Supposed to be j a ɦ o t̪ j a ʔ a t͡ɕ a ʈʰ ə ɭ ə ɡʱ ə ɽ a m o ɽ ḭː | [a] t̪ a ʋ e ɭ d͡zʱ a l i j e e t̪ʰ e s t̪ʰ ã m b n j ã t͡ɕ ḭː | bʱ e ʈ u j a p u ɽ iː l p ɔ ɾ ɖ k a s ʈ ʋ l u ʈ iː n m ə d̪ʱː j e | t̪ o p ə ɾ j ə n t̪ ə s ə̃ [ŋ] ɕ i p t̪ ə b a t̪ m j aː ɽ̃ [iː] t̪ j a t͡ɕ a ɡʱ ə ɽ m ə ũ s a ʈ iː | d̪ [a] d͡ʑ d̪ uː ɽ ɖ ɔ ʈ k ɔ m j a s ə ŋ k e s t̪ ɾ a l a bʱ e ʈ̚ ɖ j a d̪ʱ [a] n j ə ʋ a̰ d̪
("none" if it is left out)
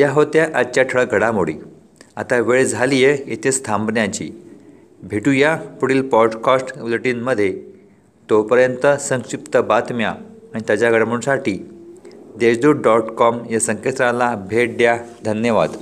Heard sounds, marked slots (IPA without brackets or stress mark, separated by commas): a, ŋ, i, e, ə